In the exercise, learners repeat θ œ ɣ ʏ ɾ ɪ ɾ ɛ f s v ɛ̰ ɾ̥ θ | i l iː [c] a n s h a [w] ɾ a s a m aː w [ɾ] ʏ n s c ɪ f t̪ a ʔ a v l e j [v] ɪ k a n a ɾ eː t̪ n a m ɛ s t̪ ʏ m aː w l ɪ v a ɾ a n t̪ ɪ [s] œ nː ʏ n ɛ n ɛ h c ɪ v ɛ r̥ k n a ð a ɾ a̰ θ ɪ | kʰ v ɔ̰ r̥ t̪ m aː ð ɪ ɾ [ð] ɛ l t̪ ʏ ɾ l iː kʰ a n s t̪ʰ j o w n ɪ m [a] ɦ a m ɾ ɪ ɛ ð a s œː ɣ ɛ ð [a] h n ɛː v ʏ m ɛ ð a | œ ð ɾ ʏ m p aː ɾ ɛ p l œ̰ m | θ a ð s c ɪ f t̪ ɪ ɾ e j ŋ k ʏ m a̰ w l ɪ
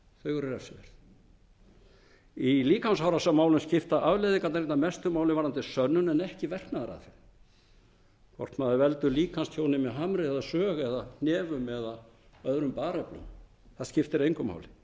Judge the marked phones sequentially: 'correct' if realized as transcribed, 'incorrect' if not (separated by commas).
incorrect, correct, incorrect, incorrect, correct, incorrect, incorrect, correct